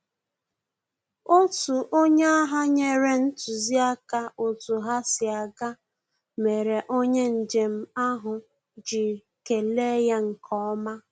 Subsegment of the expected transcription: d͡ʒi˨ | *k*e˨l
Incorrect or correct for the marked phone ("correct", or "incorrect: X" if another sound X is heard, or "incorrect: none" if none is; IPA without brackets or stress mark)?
correct